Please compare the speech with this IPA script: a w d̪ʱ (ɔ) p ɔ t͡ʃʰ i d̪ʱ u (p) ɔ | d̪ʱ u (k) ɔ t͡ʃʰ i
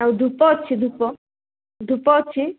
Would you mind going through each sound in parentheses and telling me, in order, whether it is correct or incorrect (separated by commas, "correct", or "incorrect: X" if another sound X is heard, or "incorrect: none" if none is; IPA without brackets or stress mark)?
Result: incorrect: u, correct, incorrect: p